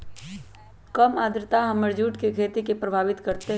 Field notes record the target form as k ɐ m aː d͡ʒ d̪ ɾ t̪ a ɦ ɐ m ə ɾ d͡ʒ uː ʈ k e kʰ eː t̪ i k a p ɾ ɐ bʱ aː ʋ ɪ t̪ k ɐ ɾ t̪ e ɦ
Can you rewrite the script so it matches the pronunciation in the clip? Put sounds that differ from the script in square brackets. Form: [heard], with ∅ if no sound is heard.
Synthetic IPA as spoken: k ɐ m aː [∅] d̪ ɾ t̪ a ɦ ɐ m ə ɾ d͡ʒ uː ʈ k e kʰ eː t̪ i k [e] p ɾ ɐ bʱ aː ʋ ɪ t̪ k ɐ ɾ t̪ e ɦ